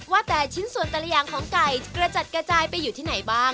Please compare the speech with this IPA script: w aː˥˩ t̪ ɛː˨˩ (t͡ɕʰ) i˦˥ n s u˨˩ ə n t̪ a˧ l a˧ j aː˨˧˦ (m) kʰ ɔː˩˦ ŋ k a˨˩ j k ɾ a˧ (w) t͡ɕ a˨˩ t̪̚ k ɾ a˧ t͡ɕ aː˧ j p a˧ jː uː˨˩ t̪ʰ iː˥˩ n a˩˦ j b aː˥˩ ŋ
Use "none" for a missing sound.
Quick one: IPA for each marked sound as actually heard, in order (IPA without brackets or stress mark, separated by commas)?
t͡ɕʰ, ŋ, none